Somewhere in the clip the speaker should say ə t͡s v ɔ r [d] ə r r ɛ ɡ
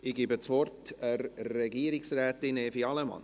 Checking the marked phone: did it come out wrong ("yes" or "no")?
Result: yes